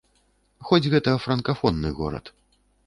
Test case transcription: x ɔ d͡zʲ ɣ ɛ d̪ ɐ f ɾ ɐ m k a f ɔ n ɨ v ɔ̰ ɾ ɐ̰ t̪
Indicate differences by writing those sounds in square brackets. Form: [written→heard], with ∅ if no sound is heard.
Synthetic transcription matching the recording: x ɔ d͡zʲ ɣ ɛ [d̪→t̪] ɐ f ɾ ɐ [m→n] k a f ɔ [n→nː] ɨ [v→ɣ] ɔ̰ ɾ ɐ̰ t̪